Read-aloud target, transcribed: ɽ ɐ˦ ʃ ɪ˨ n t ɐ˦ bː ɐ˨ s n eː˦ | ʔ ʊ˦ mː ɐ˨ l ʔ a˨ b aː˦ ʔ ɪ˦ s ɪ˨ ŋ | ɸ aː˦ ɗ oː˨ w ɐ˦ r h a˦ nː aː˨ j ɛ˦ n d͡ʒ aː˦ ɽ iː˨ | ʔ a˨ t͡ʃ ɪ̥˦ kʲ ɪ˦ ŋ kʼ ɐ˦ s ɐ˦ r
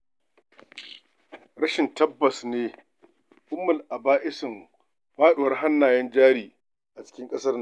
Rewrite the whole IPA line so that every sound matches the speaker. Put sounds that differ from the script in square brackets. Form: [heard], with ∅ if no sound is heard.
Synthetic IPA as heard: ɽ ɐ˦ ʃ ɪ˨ n t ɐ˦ bː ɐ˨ s n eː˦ | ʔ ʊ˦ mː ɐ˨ l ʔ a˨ b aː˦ ʔ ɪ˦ s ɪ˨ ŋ | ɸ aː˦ ɗ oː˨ w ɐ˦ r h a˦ nː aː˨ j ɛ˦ n d͡ʒ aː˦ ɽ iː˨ | ʔ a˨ t͡ʃ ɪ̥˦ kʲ ɪ˦ ŋ kʼ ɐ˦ s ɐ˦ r